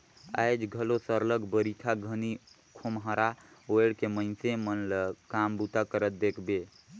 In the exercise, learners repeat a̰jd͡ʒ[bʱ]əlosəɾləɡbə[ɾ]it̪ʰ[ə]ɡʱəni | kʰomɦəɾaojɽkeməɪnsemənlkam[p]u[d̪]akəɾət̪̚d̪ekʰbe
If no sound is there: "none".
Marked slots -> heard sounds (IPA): ɡʱ, ɾ, a, b, t̪

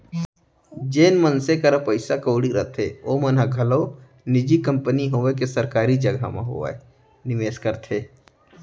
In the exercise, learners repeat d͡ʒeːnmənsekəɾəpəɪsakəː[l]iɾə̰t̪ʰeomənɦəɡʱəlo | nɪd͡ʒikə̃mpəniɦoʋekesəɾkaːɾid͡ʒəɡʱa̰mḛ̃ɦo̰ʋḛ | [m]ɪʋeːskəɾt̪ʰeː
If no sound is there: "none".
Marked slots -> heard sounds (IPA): ɽ, n

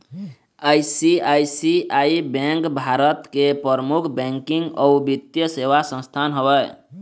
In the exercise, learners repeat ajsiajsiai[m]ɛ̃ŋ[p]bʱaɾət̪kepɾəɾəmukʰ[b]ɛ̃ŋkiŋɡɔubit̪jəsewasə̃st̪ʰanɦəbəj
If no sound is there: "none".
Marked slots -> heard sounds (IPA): b, k, b

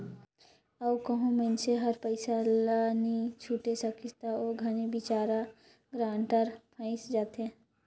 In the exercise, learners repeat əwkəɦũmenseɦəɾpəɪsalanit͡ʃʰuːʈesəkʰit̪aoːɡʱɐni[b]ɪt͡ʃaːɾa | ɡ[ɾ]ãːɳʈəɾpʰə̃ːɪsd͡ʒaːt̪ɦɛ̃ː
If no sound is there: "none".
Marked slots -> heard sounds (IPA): b, ɾ

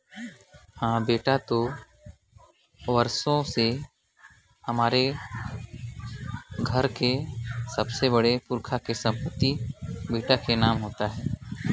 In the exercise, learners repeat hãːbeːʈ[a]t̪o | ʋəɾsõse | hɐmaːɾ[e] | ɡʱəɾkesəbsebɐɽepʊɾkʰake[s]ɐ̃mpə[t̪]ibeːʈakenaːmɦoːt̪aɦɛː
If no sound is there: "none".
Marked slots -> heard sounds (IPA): a, e, s, t̪

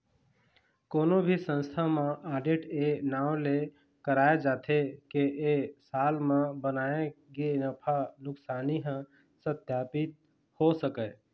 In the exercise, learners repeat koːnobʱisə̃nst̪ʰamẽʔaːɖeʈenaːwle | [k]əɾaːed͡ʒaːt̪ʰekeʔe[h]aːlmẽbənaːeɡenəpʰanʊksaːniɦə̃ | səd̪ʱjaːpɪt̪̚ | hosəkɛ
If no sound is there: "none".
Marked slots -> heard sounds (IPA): k, s

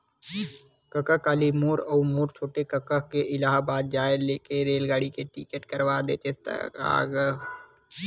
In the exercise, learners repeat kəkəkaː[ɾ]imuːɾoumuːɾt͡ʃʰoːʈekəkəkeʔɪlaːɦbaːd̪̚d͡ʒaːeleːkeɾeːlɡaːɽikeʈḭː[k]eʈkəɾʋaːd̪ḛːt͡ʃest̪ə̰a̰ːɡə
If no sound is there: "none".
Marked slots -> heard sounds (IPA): l, k

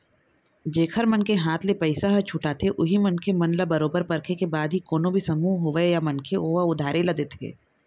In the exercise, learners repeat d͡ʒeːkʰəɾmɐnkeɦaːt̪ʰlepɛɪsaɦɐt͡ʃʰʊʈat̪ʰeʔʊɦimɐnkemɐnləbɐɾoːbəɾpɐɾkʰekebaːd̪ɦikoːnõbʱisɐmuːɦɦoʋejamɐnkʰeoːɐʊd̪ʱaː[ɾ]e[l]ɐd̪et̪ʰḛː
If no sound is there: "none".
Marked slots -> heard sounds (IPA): ɾ, l

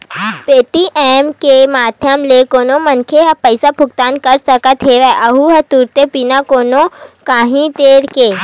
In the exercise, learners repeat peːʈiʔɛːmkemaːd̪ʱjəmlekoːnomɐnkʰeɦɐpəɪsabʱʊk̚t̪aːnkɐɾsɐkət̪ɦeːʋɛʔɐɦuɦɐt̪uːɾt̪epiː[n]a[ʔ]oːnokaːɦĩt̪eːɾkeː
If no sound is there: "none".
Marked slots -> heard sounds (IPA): n, k

